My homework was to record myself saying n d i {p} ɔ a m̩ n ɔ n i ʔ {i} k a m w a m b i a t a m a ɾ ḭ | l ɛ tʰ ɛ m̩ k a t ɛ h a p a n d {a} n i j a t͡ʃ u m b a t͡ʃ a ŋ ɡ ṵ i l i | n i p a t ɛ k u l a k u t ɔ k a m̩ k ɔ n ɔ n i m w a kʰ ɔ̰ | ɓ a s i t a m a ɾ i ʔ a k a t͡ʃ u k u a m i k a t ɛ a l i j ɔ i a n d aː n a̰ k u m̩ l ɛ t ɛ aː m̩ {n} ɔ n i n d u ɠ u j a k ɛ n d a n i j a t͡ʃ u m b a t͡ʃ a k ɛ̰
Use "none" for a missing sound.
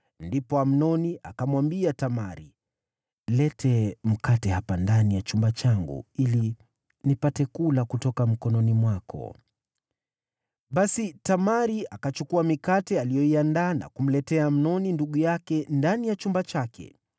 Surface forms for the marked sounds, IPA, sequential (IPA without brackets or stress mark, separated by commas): p, a, a, n